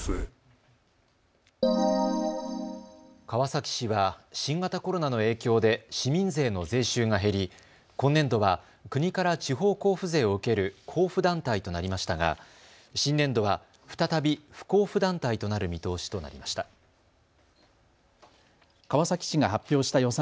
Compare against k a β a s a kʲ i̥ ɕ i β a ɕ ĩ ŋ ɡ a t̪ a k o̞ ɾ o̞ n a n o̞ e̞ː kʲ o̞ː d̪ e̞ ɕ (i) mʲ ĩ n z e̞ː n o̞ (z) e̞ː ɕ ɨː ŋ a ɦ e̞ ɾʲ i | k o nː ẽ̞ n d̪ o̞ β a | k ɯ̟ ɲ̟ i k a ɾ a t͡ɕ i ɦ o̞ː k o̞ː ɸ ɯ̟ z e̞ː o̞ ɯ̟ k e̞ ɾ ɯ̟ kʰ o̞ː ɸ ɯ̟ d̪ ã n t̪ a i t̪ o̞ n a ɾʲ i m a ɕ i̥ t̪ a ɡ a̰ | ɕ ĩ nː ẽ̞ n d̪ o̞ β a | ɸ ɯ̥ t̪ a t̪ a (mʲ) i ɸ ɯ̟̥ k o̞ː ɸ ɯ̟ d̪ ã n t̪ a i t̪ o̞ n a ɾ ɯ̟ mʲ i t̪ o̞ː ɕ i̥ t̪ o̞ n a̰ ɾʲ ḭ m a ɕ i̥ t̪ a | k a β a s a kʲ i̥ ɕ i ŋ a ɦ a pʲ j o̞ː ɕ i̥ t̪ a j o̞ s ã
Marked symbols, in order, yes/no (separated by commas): yes, yes, no